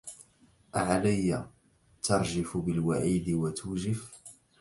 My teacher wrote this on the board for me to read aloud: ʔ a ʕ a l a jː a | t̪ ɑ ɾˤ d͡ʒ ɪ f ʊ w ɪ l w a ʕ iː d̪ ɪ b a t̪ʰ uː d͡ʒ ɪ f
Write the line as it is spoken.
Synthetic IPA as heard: ʔ a ʕ a l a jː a | t̪ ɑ ɾˤ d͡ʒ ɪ f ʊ b ɪ l w a ʕ iː d̪ ɪ w a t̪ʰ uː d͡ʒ ɪ f

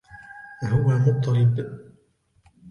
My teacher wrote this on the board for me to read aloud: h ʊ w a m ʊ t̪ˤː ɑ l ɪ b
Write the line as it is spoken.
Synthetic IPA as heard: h ʊ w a m ʊ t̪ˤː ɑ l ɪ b

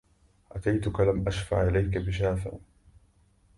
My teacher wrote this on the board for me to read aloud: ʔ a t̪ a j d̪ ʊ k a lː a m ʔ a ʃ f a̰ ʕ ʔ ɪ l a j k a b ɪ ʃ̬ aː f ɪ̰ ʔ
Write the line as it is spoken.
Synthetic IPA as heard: ʔ a t̪ a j t̪ ʊ k a l a m ʔ a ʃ f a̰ ʕ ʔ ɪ l a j k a b ɪ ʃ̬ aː f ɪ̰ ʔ

